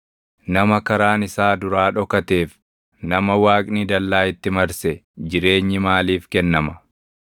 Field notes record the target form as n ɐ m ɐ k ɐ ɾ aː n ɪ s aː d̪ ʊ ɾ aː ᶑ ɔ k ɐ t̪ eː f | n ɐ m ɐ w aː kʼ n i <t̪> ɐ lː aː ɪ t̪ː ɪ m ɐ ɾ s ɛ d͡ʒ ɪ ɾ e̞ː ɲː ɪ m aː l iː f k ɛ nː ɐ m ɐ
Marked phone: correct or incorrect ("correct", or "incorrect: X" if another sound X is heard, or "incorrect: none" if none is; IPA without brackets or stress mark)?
incorrect: d̪